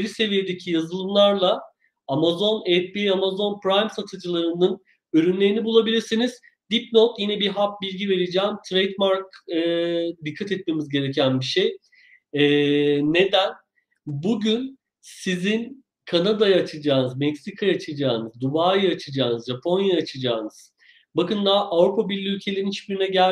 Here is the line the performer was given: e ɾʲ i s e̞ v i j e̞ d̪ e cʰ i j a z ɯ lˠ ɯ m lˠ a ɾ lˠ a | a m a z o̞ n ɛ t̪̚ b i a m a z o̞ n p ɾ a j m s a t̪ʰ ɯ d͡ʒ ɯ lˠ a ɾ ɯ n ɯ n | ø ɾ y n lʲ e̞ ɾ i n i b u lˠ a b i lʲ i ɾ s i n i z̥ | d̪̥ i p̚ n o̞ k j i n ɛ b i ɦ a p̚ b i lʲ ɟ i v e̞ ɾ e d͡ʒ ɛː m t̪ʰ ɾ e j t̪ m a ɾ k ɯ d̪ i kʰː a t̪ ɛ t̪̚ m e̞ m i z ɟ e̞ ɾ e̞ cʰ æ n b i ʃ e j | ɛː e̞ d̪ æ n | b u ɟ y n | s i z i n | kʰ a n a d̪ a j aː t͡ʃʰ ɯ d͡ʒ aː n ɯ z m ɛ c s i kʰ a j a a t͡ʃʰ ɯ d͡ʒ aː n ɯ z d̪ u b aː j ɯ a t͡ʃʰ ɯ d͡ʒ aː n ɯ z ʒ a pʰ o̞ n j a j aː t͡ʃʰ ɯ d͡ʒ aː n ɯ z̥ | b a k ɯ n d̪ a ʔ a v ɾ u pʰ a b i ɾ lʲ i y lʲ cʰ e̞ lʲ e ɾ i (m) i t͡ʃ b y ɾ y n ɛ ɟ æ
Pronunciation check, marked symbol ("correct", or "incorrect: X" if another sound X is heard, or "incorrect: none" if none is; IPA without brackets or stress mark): incorrect: n